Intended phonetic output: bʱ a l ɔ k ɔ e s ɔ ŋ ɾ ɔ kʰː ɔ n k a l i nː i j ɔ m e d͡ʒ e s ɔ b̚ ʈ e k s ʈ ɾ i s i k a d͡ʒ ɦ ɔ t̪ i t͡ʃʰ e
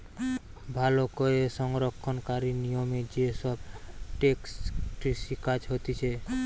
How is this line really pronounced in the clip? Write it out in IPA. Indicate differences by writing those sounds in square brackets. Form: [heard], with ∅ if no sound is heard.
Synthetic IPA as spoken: bʱ a l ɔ k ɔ e s ɔ ŋ ɾ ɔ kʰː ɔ n k a [ɾ] i [n] i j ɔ m e d͡ʒ e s ɔ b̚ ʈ e k s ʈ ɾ i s i k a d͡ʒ ɦ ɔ t̪ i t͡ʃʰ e